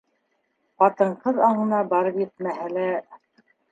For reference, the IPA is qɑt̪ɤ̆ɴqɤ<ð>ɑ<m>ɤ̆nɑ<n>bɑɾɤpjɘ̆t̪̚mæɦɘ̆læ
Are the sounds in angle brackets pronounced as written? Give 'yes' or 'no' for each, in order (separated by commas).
yes, no, no